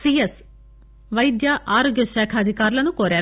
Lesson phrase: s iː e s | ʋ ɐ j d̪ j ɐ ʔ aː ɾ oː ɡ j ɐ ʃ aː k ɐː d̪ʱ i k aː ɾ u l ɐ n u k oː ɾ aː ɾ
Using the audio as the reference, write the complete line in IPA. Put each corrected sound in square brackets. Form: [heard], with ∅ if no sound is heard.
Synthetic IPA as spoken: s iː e s | ʋ ɐ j d̪ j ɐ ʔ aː ɾ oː ɡ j ɐ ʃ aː [kʰ] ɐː d̪ʱ i k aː ɾ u l ɐ n u k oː ɾ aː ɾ